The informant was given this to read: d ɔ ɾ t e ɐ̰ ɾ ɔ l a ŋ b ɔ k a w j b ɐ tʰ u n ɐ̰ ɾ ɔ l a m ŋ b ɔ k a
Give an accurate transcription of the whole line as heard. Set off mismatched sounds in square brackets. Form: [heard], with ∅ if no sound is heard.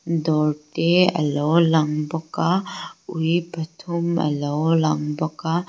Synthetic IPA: d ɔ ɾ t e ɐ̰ [l] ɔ l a ŋ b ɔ k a [u] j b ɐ tʰ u [m] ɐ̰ [l] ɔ l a [∅] ŋ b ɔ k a